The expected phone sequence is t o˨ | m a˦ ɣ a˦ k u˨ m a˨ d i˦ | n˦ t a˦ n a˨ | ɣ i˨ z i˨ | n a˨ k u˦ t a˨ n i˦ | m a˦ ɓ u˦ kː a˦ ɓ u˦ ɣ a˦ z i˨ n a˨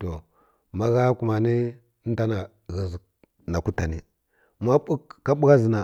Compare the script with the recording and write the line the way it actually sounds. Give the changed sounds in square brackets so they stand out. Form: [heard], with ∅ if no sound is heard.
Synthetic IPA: t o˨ | m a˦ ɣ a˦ k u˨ m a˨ [n] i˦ | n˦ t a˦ n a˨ | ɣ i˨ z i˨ | n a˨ k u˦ t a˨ n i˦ | m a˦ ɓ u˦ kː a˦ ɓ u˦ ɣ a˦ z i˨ n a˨